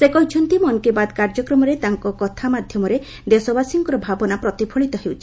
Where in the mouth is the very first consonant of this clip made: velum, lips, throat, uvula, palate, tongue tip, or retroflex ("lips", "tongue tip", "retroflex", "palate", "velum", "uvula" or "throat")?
tongue tip